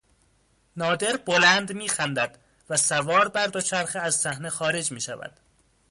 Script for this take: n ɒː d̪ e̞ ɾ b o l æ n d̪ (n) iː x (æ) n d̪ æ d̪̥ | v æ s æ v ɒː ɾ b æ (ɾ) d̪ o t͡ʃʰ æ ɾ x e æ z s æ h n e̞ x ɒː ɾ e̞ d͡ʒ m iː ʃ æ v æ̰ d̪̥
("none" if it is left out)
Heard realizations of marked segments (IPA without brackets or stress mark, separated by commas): m, æ, ɾ